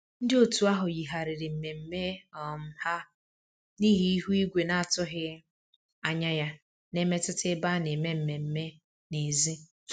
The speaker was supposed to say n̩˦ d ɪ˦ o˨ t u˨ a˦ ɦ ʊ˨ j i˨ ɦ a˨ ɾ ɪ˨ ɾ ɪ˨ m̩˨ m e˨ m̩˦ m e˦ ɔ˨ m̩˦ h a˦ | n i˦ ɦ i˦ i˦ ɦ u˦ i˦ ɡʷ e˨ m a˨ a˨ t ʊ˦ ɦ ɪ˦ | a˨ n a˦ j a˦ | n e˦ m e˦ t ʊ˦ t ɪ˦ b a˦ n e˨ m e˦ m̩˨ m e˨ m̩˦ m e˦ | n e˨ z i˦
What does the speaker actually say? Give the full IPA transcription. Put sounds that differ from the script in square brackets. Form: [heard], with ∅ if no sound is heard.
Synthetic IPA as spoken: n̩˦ d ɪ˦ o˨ t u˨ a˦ ɦ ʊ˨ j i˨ ɦ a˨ ɾ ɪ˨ ɾ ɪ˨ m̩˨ m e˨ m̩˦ m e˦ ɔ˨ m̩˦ h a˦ | n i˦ ɦ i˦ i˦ ɦ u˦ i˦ ɡʷ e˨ [n] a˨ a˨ t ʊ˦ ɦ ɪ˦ | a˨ [ɲ] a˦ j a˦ | n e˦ m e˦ t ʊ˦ t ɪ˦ b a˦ n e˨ m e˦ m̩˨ m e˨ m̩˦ m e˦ | n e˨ z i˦